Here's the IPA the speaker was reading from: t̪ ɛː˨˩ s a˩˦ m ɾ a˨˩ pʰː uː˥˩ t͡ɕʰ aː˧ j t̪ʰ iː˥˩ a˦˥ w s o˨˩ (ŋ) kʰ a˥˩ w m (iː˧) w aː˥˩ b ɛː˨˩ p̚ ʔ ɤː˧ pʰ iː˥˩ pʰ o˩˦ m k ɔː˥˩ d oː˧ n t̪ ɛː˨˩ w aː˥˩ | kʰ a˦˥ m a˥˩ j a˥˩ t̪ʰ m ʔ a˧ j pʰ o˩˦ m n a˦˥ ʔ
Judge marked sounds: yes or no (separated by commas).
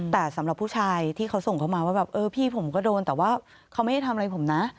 yes, no